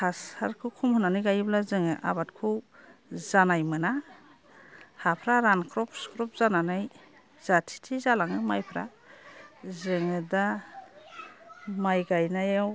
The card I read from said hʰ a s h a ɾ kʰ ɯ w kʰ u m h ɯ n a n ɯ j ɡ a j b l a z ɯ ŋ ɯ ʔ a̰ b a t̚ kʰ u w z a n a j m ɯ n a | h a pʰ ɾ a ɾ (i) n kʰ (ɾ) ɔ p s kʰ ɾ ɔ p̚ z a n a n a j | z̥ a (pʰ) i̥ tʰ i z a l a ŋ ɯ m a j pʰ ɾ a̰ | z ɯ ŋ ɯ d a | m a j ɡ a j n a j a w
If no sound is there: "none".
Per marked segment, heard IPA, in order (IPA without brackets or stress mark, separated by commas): a, ɾ, tʰ